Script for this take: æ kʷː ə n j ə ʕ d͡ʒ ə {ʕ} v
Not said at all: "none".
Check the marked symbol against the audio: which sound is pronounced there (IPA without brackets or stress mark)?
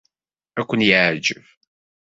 none